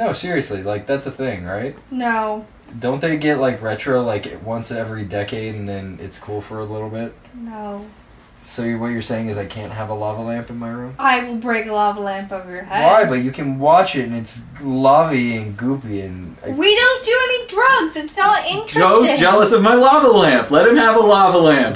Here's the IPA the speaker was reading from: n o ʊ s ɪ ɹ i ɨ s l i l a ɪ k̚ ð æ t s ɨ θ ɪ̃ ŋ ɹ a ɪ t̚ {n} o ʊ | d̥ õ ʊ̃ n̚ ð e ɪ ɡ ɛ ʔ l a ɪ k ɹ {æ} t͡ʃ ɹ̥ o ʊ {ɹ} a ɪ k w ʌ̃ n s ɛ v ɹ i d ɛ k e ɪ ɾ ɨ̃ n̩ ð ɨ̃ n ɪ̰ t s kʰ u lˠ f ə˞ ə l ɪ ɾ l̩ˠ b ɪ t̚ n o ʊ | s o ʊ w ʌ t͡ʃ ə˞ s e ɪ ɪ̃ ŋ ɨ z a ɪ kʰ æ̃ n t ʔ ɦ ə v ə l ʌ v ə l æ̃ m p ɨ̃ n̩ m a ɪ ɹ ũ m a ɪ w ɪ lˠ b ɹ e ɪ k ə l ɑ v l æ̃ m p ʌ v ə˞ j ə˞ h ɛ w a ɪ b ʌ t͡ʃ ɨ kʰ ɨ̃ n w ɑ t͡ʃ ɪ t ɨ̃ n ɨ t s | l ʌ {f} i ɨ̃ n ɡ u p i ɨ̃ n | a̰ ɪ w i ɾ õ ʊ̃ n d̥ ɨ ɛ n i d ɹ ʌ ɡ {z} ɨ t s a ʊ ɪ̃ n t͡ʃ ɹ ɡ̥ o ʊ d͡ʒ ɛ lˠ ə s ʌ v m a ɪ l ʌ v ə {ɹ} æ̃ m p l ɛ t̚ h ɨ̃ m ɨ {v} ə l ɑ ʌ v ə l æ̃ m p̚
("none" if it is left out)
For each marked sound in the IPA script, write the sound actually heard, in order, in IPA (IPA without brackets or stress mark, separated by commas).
n, ɛ, l, v, z, l, v